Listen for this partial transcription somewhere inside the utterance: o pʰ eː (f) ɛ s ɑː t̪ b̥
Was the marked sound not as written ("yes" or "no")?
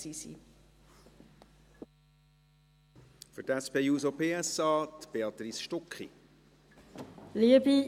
yes